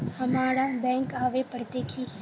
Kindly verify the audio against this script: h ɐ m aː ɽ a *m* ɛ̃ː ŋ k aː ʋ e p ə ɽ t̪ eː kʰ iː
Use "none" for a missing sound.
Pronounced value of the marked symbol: b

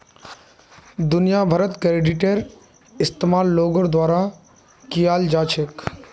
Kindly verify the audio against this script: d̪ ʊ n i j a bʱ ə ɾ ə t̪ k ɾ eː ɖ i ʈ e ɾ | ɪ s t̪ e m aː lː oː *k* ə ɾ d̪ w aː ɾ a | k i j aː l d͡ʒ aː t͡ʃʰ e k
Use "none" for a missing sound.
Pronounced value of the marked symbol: ɡ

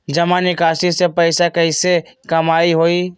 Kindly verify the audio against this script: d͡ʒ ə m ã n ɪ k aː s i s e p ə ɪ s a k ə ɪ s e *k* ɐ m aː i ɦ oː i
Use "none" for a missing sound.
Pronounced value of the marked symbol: k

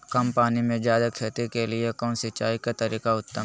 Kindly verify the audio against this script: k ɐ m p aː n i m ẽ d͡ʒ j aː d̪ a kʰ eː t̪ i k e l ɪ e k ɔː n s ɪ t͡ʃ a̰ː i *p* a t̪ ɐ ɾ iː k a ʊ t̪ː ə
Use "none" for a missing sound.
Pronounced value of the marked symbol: k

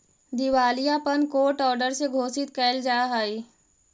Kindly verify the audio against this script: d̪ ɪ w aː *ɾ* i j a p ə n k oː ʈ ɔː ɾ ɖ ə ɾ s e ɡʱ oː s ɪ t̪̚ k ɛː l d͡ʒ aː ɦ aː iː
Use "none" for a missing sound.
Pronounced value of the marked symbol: l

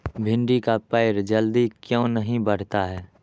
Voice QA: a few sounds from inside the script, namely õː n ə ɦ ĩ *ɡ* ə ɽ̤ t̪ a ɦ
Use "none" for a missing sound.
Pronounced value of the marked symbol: b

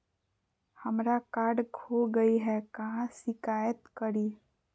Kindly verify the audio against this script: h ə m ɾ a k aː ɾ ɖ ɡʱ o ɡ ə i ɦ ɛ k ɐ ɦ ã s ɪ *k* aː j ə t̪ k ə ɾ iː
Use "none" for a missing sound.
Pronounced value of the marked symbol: k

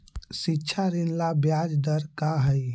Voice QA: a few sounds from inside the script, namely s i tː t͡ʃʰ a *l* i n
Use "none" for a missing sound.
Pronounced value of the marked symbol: ɾ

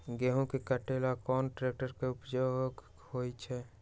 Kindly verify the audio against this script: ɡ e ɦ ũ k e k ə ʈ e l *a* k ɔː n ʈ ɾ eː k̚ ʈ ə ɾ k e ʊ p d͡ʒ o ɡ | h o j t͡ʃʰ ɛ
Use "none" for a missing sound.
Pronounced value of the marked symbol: a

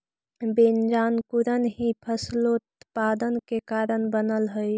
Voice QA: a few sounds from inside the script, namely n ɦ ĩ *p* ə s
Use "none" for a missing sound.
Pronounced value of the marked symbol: pʰ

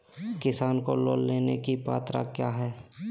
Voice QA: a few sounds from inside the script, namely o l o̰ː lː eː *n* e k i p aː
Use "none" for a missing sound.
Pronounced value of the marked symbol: n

